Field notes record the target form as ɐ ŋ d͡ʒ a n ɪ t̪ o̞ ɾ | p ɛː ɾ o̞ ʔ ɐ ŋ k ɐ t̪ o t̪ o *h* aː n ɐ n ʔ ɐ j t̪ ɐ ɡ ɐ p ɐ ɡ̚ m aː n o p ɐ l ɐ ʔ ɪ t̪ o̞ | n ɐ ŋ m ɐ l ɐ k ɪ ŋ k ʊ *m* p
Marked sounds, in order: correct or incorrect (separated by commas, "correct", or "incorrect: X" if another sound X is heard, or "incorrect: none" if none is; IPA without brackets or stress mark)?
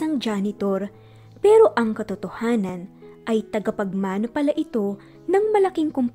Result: correct, correct